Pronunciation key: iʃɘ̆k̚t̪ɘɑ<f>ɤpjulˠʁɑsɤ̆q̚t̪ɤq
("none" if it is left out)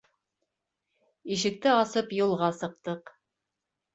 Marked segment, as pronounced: s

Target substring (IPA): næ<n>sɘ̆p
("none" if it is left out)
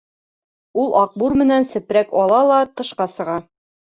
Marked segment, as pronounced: n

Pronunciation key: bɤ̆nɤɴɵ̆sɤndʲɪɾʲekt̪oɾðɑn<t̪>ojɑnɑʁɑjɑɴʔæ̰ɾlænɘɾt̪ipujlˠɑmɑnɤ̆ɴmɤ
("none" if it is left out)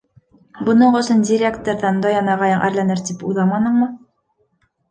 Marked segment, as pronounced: d̪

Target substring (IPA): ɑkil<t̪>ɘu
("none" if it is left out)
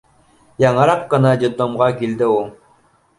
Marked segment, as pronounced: d̪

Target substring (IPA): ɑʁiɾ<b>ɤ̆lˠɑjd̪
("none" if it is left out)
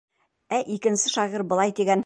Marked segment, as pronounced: b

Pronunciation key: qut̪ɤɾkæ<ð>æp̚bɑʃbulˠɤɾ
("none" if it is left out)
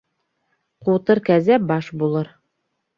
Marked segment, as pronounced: z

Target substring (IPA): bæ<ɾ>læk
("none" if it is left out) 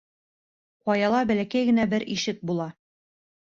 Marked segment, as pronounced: none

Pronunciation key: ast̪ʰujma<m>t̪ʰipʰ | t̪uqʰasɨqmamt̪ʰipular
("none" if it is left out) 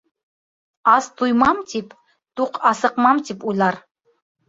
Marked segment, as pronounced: m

